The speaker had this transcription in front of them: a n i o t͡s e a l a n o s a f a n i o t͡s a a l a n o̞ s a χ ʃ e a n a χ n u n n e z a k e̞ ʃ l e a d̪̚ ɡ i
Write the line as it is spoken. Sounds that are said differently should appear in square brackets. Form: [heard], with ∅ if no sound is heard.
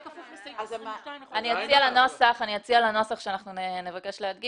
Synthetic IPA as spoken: a n i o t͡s [i] a l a n o s a [χ] a n i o t͡s [i] a l a n o̞ s a χ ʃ e a n a χ n u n n e [v] a k e̞ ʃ l e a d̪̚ ɡ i